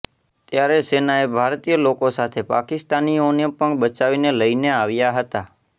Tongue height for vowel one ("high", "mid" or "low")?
low